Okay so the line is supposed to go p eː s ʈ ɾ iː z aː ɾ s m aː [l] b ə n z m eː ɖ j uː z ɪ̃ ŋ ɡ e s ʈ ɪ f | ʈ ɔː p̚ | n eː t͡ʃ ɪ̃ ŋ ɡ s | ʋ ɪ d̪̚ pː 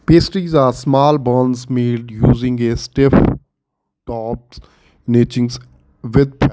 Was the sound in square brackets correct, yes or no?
yes